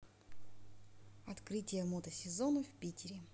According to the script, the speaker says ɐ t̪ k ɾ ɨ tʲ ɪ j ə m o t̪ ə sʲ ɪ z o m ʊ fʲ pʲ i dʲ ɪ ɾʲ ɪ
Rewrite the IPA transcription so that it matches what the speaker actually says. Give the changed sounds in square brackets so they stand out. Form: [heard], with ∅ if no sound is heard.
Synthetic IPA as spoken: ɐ t̪ k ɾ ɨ tʲ ɪ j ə m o t̪ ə sʲ ɪ z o [n] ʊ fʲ pʲ i [tʲ] ɪ ɾʲ ɪ